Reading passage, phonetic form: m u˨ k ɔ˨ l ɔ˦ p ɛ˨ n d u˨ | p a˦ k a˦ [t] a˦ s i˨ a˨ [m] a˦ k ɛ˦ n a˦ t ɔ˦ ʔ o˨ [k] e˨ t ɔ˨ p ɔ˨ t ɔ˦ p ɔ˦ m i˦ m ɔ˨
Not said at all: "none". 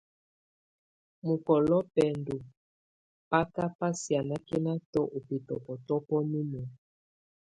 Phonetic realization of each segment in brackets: p, n, p

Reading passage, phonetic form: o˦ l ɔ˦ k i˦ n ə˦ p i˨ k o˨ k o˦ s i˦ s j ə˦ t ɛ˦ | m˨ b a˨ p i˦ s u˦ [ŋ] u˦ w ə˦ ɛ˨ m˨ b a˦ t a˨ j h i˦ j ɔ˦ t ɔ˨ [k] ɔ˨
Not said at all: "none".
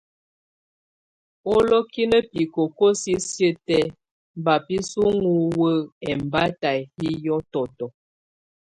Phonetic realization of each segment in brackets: ŋ, t

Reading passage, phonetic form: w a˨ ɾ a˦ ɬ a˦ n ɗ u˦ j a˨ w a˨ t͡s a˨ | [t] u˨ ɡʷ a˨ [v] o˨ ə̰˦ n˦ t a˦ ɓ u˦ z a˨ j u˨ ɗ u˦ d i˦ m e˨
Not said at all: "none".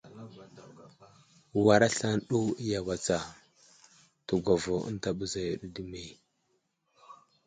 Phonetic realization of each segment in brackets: t, v

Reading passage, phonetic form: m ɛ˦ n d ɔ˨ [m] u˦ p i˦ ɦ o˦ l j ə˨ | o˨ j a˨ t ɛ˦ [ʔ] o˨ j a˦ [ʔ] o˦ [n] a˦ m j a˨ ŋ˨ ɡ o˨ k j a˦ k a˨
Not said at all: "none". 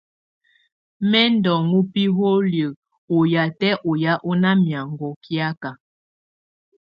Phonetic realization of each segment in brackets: ŋ, ʔ, ʔ, n

